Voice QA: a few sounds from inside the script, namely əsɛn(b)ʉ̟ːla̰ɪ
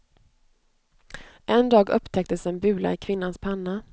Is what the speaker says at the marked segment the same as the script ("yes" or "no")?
yes